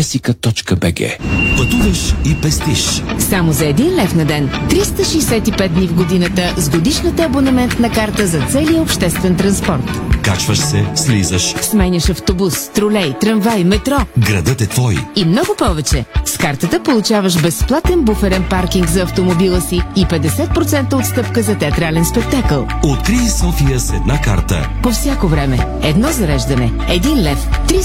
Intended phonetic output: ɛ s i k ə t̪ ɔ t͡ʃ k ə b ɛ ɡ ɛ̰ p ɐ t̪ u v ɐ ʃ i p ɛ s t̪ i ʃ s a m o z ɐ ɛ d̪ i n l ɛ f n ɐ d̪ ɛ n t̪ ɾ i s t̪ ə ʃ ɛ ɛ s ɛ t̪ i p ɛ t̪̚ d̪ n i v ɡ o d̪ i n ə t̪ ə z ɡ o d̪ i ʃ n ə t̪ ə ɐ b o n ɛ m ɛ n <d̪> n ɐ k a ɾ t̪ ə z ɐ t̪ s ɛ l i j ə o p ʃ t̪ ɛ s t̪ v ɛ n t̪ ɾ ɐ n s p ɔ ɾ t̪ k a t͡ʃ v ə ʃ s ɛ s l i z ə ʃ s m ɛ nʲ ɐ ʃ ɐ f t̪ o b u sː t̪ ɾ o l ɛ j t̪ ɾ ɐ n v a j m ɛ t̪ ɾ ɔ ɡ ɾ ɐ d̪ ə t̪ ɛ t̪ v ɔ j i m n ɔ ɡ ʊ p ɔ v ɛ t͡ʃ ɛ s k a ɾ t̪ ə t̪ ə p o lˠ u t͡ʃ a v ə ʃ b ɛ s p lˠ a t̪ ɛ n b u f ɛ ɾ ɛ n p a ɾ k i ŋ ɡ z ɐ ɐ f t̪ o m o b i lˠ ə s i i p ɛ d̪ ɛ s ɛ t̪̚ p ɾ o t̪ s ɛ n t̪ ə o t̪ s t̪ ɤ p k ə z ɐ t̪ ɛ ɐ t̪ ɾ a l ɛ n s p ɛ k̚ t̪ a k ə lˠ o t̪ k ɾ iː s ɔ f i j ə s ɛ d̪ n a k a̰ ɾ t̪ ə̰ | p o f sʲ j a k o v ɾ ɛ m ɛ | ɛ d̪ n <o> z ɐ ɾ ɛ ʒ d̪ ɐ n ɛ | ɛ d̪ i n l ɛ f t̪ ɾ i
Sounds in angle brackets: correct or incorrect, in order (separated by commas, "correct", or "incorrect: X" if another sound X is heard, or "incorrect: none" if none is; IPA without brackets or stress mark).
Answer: incorrect: t̪, incorrect: ɔ